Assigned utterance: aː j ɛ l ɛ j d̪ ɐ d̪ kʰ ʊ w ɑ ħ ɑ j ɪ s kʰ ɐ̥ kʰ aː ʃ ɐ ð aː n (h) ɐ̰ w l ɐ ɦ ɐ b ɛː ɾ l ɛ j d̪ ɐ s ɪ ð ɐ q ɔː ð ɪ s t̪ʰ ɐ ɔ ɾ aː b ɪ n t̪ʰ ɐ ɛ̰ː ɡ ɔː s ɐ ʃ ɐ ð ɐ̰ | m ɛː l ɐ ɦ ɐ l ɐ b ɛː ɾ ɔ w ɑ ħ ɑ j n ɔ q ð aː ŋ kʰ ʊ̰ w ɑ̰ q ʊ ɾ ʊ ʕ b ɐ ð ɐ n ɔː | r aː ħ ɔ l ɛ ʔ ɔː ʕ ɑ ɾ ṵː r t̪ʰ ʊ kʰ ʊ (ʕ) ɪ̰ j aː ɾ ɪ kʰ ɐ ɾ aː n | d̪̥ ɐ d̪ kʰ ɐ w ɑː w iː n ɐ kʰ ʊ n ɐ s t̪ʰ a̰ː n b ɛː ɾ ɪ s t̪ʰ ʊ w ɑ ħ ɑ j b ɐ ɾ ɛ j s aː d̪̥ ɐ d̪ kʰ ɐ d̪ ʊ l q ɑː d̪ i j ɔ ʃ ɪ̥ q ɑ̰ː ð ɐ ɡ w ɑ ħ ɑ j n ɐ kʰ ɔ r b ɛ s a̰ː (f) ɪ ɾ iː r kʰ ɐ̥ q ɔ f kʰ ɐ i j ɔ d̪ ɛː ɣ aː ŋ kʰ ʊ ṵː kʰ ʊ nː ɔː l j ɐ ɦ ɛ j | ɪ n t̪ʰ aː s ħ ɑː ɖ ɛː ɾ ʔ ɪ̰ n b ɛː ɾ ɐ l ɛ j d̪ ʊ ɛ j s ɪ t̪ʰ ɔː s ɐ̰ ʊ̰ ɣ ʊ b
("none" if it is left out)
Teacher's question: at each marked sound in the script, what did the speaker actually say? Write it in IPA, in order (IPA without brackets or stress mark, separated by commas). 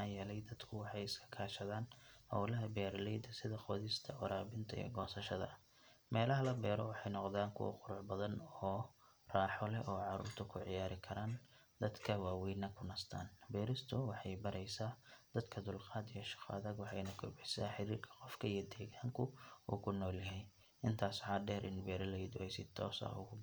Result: h, ʕ, ħ